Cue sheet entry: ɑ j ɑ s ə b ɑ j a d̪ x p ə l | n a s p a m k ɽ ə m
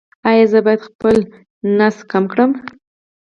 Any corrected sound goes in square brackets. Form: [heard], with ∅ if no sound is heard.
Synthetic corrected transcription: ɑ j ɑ [z] ə b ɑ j a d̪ x p ə l | n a s [k] a m k ɽ ə m